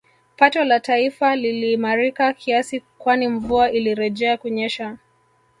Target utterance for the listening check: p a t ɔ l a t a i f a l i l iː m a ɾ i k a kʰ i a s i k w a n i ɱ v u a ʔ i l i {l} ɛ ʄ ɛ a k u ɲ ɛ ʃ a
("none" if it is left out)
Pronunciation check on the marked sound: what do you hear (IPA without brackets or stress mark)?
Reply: ɾ